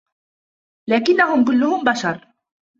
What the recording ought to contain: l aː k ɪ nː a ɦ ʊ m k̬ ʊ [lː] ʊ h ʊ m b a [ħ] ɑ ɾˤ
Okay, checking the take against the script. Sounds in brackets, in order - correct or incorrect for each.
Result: correct, incorrect: ʃ

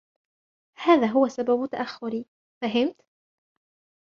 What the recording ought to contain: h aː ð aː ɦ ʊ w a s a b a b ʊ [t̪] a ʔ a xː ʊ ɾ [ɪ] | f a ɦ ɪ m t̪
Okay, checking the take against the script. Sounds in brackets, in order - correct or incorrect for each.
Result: correct, incorrect: i

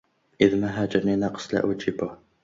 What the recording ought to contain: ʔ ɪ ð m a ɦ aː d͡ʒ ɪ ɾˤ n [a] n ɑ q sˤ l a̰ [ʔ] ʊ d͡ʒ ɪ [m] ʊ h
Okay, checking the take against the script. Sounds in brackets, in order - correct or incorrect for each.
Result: incorrect: i, correct, incorrect: b

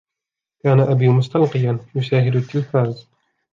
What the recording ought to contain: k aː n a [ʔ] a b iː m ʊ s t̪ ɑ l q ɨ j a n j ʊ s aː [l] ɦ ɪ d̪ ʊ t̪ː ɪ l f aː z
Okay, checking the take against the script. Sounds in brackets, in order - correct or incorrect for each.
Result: correct, incorrect: none

